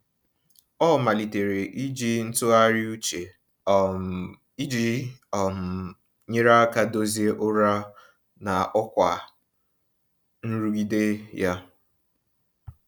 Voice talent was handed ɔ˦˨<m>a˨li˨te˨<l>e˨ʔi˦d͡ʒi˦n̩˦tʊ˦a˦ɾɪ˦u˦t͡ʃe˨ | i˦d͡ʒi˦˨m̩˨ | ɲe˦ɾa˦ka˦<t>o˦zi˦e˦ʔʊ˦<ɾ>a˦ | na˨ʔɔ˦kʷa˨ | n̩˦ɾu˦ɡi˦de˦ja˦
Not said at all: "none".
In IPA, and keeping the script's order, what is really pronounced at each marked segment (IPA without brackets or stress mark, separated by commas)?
m, ɾ, d, ɾ